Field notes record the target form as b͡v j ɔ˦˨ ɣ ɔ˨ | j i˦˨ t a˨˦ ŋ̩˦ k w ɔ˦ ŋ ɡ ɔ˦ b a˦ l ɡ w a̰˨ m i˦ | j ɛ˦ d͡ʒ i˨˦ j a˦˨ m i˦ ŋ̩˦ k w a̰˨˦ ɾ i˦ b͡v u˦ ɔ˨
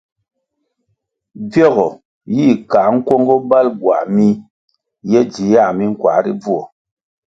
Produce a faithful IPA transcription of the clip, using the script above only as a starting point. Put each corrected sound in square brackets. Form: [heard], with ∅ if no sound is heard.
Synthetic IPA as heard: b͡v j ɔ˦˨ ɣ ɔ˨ | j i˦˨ [k] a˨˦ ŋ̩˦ k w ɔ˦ ŋ ɡ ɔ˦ b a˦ l ɡ w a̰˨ m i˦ | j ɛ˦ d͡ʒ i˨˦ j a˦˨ m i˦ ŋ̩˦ k w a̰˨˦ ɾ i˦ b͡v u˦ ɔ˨

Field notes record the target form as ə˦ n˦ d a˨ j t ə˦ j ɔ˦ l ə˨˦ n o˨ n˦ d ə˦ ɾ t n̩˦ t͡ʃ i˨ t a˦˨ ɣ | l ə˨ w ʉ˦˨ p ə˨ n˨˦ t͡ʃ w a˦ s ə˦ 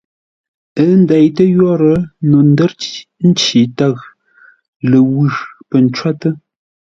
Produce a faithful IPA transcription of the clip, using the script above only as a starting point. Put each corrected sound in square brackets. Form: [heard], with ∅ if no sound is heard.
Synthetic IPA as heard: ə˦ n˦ d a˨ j t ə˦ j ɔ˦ [ɾ] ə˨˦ n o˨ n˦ d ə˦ ɾ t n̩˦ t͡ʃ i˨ t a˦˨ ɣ | l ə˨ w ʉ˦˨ p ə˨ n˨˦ t͡ʃ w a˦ [t] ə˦

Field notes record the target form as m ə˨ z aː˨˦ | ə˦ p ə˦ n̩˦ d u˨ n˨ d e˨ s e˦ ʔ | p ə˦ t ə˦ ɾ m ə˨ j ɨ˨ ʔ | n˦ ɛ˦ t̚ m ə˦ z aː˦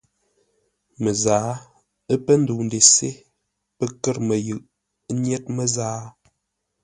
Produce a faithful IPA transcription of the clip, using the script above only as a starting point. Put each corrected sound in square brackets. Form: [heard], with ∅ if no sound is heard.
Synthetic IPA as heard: m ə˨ z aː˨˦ | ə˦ p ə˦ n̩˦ d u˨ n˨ d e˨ s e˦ [∅] | p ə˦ [k] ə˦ ɾ m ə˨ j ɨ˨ ʔ | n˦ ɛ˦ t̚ m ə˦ z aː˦

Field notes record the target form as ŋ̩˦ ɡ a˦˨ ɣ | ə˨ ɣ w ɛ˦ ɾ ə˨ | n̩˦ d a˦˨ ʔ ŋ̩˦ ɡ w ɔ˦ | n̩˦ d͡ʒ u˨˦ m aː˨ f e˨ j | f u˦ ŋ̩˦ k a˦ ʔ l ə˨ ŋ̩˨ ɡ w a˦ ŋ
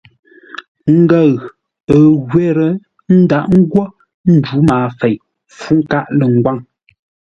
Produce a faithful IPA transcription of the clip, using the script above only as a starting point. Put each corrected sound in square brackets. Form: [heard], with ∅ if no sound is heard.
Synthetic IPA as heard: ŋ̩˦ ɡ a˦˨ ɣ | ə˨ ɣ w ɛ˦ ɾ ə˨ | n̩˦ d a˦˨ ʔ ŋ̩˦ ɡ w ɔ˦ | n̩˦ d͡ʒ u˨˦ m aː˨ f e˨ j | f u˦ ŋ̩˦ k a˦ ʔ l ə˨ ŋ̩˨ ɡ w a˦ ŋ

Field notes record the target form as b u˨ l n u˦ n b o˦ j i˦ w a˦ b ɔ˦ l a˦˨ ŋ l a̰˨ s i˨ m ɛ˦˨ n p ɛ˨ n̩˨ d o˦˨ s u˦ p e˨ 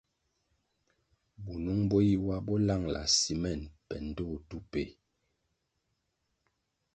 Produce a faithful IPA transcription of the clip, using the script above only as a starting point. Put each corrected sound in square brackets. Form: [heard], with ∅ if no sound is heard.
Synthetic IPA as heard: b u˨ [∅] n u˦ [ŋ] b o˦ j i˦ w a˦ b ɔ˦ l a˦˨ ŋ l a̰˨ s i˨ m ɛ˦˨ n p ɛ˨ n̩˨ d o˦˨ [t] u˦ p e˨

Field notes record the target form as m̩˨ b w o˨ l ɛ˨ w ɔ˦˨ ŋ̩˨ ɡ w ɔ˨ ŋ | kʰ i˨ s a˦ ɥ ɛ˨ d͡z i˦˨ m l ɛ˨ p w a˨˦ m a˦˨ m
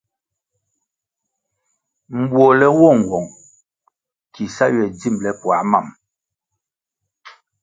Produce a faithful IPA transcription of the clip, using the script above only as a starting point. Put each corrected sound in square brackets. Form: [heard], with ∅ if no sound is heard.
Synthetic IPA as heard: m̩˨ b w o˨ l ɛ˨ w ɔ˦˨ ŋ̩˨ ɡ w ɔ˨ ŋ | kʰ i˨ s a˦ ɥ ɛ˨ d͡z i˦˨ m l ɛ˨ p w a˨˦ m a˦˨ m

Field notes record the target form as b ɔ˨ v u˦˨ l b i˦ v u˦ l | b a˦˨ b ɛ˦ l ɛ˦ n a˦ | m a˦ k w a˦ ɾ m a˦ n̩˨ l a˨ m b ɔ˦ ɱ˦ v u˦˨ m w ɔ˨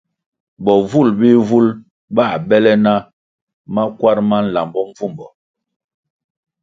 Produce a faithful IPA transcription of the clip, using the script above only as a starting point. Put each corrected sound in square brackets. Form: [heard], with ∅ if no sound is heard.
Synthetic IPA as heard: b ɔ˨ v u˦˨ l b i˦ v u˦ l | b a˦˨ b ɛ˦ l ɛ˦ n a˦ | m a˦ k w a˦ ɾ m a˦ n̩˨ l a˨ m b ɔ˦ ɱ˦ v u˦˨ m [b] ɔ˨

